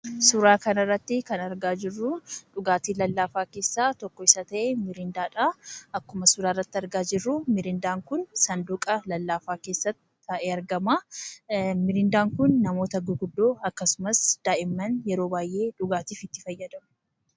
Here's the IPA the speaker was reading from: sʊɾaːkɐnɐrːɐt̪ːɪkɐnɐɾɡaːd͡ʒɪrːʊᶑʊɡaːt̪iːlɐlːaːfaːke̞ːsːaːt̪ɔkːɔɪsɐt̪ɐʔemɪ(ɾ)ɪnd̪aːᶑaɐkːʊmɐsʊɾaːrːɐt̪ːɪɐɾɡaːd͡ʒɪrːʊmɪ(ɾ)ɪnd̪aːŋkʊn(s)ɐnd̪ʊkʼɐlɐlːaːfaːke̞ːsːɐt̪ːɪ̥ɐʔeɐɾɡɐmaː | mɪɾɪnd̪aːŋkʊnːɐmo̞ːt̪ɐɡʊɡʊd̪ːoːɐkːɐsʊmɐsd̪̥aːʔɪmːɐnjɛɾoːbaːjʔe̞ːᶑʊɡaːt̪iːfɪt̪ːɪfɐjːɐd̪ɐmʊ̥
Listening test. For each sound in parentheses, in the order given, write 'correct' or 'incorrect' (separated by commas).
correct, correct, correct